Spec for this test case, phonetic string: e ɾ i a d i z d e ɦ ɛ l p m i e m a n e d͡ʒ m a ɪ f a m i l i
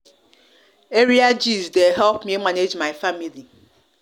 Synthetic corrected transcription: e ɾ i a d͡ʒ i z d e ɦ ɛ l p m i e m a n e d͡ʒ m a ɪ f a m i l i